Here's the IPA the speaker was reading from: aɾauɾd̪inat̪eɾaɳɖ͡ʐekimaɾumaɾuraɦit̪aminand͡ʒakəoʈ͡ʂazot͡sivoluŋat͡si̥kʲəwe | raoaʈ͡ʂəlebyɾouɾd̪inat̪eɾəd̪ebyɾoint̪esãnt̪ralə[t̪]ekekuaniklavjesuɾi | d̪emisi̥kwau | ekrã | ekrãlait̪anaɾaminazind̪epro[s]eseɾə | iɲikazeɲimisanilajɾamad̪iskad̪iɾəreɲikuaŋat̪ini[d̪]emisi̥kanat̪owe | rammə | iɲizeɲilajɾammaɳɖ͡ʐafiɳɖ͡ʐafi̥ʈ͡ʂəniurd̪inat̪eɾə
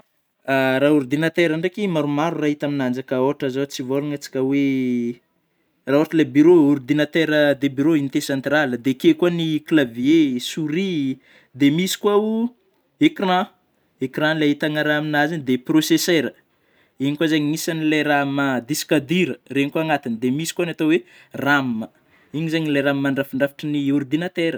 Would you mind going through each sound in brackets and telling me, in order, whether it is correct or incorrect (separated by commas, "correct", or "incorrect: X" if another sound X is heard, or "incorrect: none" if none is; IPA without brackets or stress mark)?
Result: incorrect: d̪, correct, correct